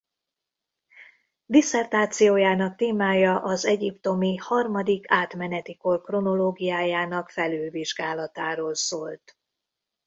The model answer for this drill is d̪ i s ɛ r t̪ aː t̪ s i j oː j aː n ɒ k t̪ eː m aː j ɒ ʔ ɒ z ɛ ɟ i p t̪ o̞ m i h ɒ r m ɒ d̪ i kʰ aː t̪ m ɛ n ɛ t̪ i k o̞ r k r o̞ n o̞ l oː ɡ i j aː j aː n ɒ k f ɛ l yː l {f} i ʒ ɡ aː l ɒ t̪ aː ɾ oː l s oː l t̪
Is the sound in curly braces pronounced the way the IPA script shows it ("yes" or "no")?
no